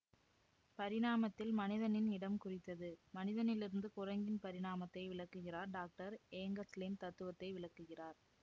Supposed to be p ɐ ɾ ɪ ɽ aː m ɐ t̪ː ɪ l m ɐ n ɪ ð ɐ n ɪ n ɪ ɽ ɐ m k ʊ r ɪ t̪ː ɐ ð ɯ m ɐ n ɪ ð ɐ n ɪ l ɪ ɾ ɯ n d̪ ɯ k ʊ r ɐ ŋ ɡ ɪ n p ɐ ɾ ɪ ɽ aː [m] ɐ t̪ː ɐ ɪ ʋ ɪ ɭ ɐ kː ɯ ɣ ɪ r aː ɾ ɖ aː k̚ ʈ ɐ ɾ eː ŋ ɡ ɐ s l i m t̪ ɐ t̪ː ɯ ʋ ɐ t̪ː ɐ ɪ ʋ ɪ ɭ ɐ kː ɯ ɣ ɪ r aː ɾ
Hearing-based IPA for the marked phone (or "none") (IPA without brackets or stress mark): m